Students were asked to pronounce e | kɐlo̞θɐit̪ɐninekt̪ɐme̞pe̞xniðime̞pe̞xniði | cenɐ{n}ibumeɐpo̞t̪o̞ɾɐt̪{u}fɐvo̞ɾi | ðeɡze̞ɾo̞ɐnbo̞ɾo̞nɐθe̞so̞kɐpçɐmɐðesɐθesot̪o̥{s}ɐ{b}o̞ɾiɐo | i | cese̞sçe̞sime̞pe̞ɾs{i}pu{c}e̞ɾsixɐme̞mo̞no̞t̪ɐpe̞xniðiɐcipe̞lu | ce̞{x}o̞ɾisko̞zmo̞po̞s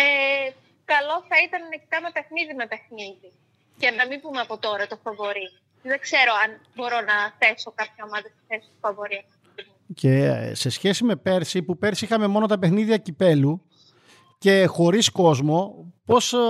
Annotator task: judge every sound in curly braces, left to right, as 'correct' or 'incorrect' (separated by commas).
incorrect, incorrect, incorrect, incorrect, correct, incorrect, correct